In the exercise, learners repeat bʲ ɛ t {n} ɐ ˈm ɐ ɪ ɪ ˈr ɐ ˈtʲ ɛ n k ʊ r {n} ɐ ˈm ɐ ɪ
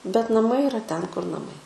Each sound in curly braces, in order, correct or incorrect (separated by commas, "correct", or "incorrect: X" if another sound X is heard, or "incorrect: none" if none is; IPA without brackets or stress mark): correct, correct